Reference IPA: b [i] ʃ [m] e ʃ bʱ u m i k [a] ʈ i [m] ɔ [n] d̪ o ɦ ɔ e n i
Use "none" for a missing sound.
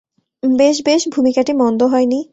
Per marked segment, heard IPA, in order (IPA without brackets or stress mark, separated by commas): e, b, a, m, n